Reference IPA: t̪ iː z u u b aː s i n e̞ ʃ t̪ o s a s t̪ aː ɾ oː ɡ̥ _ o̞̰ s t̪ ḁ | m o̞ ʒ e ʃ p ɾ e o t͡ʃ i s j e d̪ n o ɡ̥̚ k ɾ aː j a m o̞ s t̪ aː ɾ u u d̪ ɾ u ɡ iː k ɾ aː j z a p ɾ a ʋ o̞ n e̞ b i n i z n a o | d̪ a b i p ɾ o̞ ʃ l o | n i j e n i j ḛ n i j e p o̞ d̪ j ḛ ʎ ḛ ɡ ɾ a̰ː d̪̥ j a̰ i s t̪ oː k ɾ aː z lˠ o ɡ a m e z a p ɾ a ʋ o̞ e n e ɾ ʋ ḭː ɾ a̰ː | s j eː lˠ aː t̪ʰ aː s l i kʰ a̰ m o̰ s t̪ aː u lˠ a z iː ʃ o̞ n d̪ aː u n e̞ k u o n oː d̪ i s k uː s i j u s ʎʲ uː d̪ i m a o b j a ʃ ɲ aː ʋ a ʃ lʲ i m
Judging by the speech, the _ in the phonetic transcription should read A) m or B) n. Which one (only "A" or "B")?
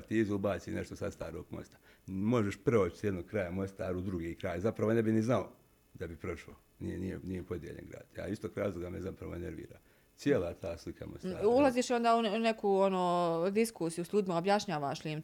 A